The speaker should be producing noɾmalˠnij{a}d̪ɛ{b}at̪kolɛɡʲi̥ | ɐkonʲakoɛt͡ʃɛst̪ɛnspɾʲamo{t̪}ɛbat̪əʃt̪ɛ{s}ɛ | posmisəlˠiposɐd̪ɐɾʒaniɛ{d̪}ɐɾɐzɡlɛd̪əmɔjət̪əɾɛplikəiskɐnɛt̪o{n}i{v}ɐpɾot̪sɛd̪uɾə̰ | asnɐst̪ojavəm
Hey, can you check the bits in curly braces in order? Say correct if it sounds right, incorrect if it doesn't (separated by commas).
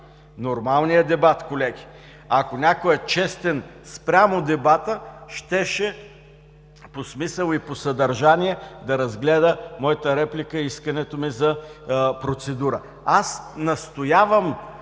incorrect, correct, incorrect, incorrect, correct, incorrect, incorrect